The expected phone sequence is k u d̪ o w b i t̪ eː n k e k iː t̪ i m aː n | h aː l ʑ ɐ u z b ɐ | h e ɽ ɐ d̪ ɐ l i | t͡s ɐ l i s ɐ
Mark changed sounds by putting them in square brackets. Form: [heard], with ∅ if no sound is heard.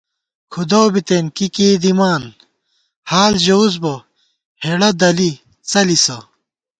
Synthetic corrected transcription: [kʰ] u d̪ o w b i t̪ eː n k [i] k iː [d̪] i m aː n | h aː l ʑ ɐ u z b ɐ | h e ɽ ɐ d̪ ɐ l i | t͡s ɐ l i s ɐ

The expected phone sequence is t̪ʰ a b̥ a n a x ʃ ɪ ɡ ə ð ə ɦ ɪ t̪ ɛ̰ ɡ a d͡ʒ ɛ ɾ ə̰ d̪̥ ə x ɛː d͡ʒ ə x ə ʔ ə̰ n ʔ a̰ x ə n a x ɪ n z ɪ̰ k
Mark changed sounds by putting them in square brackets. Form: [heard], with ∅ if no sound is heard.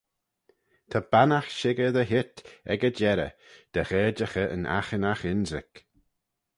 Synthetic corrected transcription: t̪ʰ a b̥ a n a x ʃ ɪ ɡ ə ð ə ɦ ɪ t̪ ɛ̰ ɡ [ə] d͡ʒ ɛ ɾ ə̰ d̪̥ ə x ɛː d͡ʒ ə x ə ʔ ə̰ n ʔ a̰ x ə n a x ɪ n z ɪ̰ k

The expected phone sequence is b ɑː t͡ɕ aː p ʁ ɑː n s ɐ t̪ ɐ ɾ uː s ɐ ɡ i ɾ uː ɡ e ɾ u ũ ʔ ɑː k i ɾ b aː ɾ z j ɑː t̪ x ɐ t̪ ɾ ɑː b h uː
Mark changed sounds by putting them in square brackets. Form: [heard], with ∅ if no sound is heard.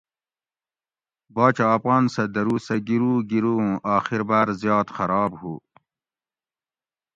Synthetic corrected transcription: b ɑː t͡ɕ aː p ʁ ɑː n s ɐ [d̪] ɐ ɾ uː s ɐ ɡ i ɾ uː ɡ [i] ɾ u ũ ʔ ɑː [x] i ɾ b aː ɾ z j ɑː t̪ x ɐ [∅] ɾ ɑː b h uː

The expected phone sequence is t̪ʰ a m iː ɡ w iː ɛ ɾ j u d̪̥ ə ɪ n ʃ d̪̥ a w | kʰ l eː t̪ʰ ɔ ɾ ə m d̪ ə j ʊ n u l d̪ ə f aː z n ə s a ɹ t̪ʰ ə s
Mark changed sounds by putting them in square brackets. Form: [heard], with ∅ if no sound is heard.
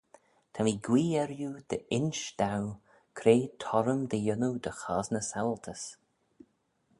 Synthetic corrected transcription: t̪ʰ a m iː ɡ w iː ɛ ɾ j u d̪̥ ə ɪ n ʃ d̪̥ a w | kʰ [ɾ] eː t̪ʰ ɔ ɾ ə m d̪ ə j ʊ n u [∅] d̪ ə [x] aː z n ə s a [l] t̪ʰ ə s

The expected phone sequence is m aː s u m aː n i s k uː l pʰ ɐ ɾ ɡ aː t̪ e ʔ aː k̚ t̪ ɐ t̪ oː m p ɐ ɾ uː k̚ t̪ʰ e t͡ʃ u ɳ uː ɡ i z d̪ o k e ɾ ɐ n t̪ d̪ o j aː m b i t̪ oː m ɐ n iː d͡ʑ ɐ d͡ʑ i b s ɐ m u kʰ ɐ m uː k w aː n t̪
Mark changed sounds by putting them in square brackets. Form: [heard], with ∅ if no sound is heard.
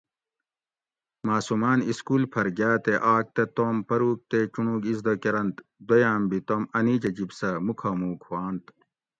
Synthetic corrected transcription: m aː s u m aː n i s k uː l pʰ ɐ ɾ ɡ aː t̪ e ʔ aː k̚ t̪ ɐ t̪ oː m p ɐ ɾ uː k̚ [t̪] e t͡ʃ u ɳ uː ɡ i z d̪ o k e ɾ ɐ n t̪ d̪ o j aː m b i t̪ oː m ɐ n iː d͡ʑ ɐ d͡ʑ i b s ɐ m u kʰ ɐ m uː k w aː n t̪

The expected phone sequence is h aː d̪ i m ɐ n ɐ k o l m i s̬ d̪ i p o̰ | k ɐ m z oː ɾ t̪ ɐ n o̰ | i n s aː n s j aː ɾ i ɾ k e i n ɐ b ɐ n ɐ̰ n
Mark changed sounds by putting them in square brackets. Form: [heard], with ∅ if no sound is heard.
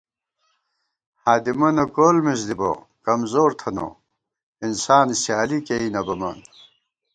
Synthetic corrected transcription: h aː d̪ i m ɐ n ɐ k o l m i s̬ d̪ i [b] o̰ | k ɐ m z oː ɾ [t̪ʰ] ɐ n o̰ | i n s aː n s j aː [l] i [∅] k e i n ɐ b ɐ [m] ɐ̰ n

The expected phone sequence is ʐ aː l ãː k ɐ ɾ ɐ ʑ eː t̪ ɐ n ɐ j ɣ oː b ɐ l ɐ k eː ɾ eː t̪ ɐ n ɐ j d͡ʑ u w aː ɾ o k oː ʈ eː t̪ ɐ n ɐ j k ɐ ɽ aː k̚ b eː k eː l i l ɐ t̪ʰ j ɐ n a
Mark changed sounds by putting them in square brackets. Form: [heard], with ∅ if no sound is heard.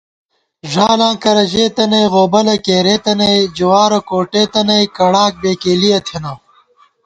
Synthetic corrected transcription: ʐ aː l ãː k ɐ ɾ ɐ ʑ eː t̪ ɐ n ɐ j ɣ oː b ɐ l ɐ k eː ɾ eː t̪ ɐ n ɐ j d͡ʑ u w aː ɾ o k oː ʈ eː t̪ ɐ n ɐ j k ɐ ɽ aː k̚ b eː k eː l i [∅] ɐ t̪ʰ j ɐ n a

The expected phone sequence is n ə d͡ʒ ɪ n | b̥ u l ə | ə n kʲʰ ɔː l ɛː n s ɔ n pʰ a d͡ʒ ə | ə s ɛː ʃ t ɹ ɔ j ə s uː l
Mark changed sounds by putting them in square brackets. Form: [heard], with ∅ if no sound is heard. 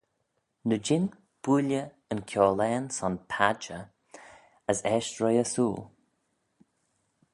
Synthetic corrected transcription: n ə d͡ʒ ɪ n | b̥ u l ə | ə n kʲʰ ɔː l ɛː n s ɔ n pʰ a d͡ʒ ə | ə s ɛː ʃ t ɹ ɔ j ə s uː l

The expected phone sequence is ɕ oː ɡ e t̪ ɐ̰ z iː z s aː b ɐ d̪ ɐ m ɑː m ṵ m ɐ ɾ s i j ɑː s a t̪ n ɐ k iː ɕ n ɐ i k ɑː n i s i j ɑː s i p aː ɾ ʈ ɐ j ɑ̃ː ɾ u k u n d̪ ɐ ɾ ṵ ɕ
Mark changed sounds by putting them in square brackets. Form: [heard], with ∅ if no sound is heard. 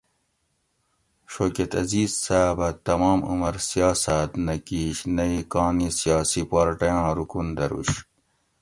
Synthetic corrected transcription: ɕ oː [k] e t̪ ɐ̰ z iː z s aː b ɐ [t̪] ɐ m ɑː m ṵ m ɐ ɾ s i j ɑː s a t̪ n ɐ k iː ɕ n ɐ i k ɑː n i s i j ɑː s i p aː ɾ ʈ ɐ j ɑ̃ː ɾ u k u n d̪ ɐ ɾ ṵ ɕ

